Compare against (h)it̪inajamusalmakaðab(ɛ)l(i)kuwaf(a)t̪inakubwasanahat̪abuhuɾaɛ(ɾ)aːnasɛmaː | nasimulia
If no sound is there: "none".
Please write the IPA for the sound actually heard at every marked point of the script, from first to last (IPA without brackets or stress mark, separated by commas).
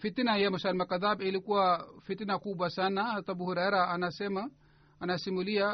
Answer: f, i, i, i, ɾ